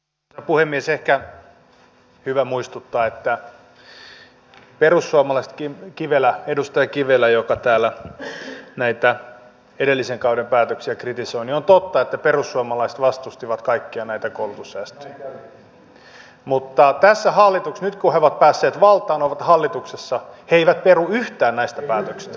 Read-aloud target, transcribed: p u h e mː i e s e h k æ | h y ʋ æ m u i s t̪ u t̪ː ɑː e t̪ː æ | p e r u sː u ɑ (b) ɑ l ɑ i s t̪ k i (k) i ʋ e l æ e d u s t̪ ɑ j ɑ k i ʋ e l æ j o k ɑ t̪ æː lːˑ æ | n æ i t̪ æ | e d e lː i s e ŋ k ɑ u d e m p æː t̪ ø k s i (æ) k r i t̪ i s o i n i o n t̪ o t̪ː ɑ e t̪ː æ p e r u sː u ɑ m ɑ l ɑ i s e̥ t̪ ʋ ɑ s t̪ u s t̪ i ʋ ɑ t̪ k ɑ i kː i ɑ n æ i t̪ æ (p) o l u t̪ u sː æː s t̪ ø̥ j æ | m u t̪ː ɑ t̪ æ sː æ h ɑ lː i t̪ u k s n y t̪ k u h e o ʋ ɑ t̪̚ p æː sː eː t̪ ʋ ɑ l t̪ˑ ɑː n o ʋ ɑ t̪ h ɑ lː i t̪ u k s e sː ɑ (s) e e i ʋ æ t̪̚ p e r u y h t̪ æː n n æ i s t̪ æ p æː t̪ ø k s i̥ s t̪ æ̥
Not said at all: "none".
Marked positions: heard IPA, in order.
m, k, æ, k, h

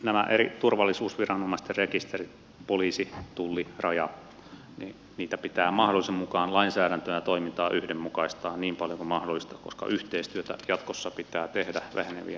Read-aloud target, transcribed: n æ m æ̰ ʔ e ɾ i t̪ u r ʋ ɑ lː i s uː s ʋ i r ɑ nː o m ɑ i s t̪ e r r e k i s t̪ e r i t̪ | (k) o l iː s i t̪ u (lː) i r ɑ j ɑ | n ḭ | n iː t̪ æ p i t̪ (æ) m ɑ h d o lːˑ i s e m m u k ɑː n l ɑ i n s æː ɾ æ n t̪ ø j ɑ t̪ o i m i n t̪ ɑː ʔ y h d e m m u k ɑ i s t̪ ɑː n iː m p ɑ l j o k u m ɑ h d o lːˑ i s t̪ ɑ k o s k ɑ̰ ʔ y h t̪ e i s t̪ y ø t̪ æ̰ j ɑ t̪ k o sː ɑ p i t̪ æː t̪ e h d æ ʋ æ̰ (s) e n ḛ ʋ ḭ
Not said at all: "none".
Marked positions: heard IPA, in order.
p, lː, æː, h

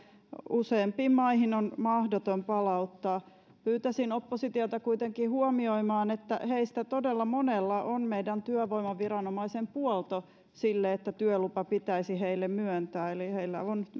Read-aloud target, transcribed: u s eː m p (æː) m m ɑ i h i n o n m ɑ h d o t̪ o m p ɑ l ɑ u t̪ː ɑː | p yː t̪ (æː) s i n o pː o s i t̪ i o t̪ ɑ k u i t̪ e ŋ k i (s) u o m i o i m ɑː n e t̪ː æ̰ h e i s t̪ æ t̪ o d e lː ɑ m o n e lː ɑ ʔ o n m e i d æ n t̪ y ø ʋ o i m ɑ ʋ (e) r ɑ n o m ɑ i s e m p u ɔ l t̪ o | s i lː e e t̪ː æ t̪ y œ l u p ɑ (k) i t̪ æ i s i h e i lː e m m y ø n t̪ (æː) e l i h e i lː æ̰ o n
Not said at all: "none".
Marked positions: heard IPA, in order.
iː, æ, h, i, p, æː

